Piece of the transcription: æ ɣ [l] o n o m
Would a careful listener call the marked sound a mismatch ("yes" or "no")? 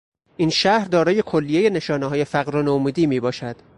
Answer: yes